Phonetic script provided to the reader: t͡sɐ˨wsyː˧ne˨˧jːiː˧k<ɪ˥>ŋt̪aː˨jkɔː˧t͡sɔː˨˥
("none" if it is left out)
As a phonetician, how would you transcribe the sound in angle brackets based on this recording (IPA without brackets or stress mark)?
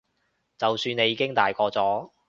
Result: ɪ˥